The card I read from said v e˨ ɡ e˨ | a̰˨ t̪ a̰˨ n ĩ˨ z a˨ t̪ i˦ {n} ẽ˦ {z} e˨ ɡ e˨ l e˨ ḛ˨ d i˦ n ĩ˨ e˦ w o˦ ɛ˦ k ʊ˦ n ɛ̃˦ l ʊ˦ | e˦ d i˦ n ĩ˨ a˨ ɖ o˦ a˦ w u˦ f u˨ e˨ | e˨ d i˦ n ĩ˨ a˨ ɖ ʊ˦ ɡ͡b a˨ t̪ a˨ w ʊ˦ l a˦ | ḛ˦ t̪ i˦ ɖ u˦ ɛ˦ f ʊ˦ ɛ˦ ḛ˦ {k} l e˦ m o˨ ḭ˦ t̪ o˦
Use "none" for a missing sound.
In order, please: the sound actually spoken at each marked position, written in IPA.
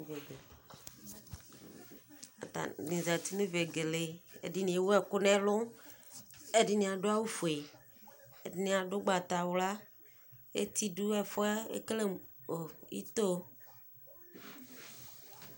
n, v, k

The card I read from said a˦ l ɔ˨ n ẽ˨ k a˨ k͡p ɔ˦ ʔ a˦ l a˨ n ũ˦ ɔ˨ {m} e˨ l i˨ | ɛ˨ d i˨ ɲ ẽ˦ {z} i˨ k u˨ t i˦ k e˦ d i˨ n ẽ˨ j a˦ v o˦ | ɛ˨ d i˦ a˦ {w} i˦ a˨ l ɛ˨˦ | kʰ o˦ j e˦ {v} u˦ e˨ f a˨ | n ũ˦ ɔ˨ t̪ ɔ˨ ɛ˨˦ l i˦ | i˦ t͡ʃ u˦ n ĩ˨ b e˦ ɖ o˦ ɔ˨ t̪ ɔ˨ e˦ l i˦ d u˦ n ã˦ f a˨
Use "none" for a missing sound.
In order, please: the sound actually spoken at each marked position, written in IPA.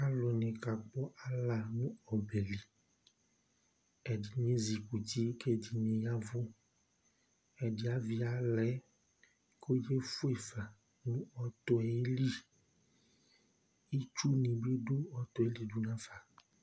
b, z, v, f

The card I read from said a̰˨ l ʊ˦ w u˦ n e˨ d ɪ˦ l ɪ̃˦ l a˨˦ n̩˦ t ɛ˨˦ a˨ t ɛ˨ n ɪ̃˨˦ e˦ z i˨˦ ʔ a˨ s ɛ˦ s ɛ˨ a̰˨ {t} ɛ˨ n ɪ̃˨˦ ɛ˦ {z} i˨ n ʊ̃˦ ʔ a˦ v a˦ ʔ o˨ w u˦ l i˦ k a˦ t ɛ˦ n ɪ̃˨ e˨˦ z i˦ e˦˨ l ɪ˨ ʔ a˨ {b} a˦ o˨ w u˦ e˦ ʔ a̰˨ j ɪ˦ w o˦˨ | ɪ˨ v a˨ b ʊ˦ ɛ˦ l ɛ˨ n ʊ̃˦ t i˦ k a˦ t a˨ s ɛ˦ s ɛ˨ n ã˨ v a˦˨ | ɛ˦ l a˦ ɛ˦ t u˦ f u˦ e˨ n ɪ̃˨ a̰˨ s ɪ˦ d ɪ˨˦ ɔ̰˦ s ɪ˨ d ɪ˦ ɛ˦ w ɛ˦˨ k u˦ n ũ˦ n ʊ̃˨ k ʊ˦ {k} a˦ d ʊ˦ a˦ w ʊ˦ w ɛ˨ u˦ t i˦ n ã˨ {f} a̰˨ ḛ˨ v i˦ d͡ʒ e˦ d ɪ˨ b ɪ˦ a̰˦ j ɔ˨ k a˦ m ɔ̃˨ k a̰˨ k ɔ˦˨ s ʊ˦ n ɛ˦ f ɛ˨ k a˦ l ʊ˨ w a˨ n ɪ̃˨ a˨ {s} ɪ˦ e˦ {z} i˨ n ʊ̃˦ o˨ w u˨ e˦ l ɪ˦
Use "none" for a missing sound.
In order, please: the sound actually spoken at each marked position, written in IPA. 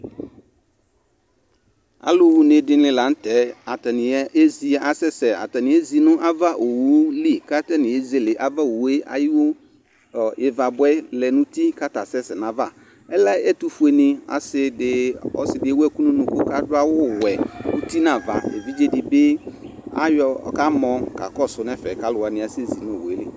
t, z, v, k, v, s, z

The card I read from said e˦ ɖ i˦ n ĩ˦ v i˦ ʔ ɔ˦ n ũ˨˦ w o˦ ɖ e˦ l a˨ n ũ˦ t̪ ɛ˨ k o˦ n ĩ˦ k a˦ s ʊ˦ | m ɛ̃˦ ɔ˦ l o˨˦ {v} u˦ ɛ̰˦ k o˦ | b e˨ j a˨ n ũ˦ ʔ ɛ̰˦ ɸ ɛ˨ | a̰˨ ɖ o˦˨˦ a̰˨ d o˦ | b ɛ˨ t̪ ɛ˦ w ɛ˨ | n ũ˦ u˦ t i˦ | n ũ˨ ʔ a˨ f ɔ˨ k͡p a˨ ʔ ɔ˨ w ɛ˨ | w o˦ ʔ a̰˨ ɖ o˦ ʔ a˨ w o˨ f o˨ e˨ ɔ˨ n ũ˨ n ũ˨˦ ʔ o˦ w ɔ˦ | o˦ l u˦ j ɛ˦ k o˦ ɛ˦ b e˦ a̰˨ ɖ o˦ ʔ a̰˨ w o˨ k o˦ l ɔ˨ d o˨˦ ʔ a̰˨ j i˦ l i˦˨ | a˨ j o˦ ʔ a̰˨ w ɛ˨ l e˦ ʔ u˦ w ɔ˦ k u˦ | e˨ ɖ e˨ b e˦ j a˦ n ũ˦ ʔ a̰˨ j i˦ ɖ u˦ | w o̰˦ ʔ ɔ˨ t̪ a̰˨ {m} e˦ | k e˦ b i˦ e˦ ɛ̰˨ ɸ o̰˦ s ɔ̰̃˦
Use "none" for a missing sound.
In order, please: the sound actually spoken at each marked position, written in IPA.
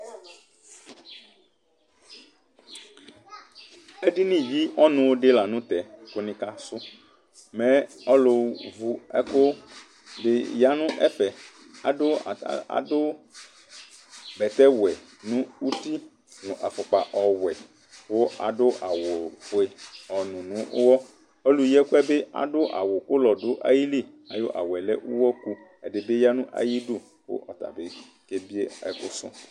v, b

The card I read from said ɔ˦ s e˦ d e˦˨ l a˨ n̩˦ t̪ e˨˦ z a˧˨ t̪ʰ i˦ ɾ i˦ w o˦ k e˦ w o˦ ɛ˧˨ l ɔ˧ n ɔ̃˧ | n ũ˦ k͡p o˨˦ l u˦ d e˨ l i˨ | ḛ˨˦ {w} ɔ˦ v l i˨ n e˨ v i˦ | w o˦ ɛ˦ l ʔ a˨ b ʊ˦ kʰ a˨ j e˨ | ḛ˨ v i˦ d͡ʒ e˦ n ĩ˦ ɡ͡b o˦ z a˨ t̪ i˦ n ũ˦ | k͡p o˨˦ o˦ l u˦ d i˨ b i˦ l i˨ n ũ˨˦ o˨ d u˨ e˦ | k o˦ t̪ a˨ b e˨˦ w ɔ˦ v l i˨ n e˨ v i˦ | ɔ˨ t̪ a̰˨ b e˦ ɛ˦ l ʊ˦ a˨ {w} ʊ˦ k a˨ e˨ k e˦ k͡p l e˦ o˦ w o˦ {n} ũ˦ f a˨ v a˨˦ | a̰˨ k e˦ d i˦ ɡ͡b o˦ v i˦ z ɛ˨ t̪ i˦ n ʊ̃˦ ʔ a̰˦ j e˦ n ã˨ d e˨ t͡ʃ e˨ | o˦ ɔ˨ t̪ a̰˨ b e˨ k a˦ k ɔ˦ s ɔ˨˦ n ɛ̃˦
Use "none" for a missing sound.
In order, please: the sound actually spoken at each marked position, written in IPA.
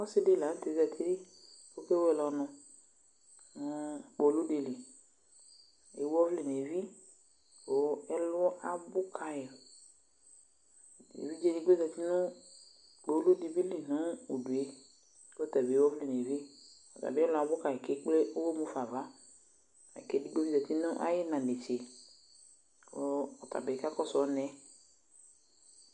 w, b, m

